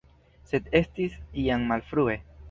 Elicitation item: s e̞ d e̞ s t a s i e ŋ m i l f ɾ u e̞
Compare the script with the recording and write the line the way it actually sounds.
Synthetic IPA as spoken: s e̞ d e̞ s t i s i a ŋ m a l f ɾ u e̞

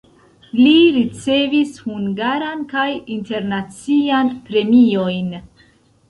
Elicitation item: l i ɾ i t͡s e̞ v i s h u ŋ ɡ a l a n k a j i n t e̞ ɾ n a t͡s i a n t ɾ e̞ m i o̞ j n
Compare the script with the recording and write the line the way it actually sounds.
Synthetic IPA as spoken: l i ɾ i t͡s e̞ v i s h u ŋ ɡ a ɾ a n k a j i n t e̞ ɾ n a t͡s i a n p ɾ e̞ m i o̞ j n

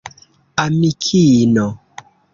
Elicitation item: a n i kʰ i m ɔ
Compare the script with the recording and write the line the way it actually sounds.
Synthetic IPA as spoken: a m i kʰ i n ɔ

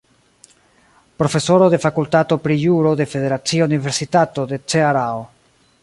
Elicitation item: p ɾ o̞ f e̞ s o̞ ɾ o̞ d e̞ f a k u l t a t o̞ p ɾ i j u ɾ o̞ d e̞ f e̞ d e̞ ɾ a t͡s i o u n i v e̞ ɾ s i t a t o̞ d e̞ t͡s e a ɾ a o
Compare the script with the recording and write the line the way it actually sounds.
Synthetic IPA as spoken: p ɾ o̞ f e̞ s o̞ ɾ o̞ d e̞ f a k u l t a t o̞ p ɾ i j u ɾ o̞ d e̞ f e̞ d e̞ ɾ a t͡s i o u n i v e̞ ɾ s i t a t o̞ d e̞ t͡s e a ɾ a o

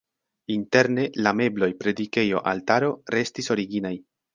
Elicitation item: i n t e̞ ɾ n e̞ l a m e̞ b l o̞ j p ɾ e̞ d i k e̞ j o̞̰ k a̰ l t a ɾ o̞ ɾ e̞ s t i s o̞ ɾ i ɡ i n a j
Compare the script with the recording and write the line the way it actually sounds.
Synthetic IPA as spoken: i n t e̞ ɾ n e̞ l a m e̞ b l o̞ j p ɾ e̞ d i k e̞ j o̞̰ ʔ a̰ l t a ɾ o̞ ɾ e̞ s t i s o̞ ɾ i ɡ i n a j

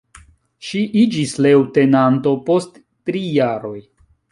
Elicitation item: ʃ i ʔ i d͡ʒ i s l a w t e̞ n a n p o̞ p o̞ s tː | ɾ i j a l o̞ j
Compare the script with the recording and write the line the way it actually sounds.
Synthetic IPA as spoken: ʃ i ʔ i d͡ʒ i s l e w t e̞ n a n t o̞ p o̞ s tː | ɾ i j a ɾ o̞ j

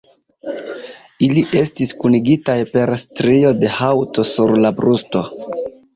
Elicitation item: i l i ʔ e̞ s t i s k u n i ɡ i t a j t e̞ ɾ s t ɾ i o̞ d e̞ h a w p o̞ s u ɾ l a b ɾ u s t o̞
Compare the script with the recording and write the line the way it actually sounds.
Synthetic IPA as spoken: i l i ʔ e̞ s t i s k u n i ɡ i t a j p e̞ ɾ s t ɾ i o̞ d e̞ h a w t o̞ s u ɾ l a b ɾ u s t o̞

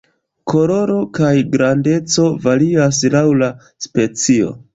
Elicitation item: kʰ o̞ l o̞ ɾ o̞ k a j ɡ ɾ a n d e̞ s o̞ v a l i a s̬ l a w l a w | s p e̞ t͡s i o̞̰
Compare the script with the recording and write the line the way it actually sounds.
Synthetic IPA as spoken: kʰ o̞ l o̞ ɾ o̞ k a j ɡ ɾ a n d e̞ t͡s o̞ v a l i a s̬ l a w l a | s p e̞ t͡s i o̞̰

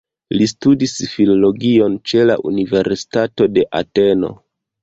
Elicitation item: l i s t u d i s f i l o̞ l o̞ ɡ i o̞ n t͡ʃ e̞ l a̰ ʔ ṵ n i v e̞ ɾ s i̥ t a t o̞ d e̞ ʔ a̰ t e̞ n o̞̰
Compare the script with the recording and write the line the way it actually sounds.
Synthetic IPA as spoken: l i s t u d i s f i l o̞ l o̞ ɡ i o̞ n t͡ʃ e̞ l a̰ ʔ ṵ n i v e̞ ɾ s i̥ t a t o̞ d e̞ ʔ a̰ t e̞ n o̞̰

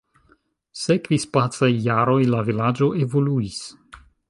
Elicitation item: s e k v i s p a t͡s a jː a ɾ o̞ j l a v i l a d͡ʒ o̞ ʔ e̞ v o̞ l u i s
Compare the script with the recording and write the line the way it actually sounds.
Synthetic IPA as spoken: s e k v i s p a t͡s a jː a ɾ o̞ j l a v i l a d͡ʒ o̞ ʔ e̞ v o̞ l u i s

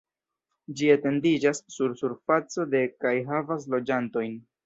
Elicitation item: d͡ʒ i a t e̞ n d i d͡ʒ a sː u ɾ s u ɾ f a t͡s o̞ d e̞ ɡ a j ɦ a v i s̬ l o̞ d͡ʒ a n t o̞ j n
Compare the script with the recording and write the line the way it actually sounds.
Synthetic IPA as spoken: d͡ʒ i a t e̞ n d i d͡ʒ a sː u ɾ s u ɾ f a t͡s o̞ d e̞ k a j ɦ a v a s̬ l o̞ d͡ʒ a n t o̞ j n

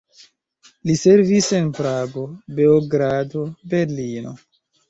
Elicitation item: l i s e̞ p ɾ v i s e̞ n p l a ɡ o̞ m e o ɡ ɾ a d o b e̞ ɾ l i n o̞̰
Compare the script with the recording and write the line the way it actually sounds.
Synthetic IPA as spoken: l i s e̞ ɾ v i s e̞ n p ɾ a ɡ o̞ b e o ɡ ɾ a d o b e̞ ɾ l i n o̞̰

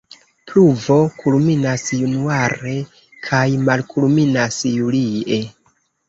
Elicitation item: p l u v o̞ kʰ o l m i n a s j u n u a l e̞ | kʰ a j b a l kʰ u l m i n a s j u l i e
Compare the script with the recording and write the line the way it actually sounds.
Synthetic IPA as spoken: p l u v o̞ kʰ u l m i n a s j u n u a ɾ e̞ | kʰ a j m a l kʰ u l m i n a s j u l i e

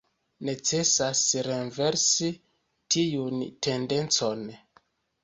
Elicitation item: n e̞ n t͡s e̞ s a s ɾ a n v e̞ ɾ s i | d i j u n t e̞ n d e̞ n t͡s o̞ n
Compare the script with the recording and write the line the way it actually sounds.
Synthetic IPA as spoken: n e̞ t͡s e̞ s a s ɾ e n v e̞ ɾ s i | t i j u n t e̞ n d e̞ n t͡s o̞ n

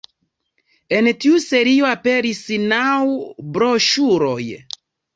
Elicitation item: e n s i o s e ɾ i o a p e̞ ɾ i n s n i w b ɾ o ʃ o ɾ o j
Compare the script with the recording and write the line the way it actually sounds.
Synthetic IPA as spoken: e n t i u s e ɾ i o a p e̞ ɾ i s n a w b ɾ o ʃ u ɾ o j

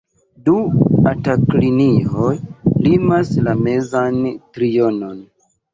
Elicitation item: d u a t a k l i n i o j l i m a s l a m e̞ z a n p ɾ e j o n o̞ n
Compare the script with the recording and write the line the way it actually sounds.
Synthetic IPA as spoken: d u a t a k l i n i o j l i m a s l a m e̞ z a n t ɾ i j o n o̞ n

